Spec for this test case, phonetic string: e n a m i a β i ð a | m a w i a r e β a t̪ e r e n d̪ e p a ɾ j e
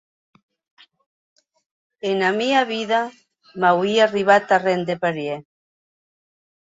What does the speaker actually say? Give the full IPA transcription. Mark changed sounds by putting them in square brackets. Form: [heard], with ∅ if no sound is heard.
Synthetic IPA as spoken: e n a m i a β i ð a | m a w i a r [i] β a t̪ [a] r e n d̪ e p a ɾ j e